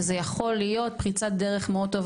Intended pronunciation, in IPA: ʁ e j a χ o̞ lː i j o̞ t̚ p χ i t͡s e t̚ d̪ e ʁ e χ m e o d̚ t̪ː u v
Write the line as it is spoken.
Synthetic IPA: z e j a χ o̞ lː i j o̞ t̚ p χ i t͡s a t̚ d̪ e ʁ e χ m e o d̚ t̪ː o v